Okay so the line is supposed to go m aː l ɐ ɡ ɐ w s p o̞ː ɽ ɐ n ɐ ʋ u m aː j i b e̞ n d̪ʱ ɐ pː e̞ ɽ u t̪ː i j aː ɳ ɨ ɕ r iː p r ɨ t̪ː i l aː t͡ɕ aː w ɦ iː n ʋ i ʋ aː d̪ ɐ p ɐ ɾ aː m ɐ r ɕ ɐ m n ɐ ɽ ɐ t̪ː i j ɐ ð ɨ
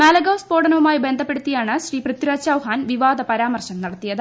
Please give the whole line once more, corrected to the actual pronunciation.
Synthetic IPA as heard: m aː l ɐ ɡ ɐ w s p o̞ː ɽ ɐ n ɐ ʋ u m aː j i b e̞ n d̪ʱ ɐ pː e̞ ɽ u t̪ː i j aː ɳ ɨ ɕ r iː p r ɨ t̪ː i ɾ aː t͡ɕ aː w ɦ aː n ʋ i ʋ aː d̪ ɐ p ɐ ɾ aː m ɐ r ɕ ɐ m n ɐ ɽ ɐ t̪ː i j ɐ ð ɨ